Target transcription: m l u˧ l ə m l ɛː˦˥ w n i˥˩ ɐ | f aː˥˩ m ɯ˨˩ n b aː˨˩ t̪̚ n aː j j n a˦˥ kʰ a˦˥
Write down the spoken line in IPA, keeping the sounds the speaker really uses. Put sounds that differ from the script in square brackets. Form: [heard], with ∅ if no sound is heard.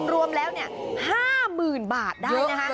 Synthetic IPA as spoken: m [ɾ] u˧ [∅] ə m l ɛː˦˥ w n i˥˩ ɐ | [h] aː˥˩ m [ɯː˨˩] n b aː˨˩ t̪̚ [d] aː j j n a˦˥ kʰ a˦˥